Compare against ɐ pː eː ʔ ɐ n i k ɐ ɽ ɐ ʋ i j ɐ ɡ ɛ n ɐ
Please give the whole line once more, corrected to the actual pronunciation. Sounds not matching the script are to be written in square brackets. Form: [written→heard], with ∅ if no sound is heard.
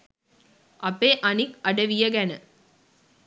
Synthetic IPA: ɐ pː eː ʔ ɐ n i k ɐ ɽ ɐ ʋ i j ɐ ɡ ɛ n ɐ